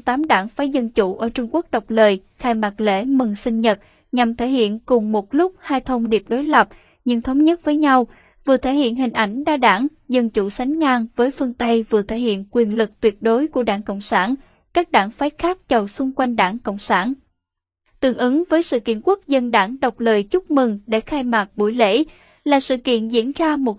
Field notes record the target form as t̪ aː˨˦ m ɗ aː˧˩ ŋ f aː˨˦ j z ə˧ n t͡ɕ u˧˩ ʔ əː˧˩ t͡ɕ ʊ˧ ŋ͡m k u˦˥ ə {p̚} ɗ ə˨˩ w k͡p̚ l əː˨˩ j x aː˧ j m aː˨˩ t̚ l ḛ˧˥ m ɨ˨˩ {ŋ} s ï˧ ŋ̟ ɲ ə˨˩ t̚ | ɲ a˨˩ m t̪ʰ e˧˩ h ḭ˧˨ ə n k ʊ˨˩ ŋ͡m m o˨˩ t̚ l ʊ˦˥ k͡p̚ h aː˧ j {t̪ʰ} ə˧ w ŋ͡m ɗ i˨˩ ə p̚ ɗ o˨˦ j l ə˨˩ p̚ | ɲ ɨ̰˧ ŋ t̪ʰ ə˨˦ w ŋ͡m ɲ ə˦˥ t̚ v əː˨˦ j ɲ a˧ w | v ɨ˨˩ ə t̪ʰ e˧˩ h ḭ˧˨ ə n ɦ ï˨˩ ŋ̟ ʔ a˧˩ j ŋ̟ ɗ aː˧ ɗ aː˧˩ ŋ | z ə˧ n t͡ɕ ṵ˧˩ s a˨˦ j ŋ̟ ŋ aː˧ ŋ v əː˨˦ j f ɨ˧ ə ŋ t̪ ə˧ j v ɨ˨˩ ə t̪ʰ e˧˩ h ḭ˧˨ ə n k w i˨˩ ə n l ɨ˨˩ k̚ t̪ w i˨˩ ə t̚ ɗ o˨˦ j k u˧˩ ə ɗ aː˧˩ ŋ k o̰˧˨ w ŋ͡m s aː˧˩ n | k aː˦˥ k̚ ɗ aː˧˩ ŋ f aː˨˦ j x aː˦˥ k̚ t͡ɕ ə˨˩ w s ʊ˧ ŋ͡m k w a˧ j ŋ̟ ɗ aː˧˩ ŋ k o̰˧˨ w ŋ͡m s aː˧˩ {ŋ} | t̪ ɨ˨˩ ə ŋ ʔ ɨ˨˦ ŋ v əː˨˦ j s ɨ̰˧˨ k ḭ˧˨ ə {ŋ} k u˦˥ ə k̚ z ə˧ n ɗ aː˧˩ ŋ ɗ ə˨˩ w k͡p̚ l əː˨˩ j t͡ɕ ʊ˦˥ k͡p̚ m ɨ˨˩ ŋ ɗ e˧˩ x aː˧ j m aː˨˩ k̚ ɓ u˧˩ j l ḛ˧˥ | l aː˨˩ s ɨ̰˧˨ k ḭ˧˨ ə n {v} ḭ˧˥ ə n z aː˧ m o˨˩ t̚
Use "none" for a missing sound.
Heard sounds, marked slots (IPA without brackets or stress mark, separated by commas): k̚, ŋ, t̪ʰ, n, n, z